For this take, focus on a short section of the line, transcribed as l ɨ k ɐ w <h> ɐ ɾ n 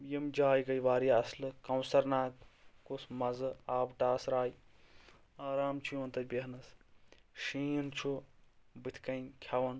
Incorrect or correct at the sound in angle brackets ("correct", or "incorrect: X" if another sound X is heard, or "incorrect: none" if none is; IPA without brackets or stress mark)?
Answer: incorrect: s